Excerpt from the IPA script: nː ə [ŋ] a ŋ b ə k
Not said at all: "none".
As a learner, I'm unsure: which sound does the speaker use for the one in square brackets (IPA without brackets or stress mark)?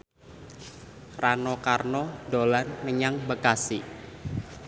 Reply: ɲ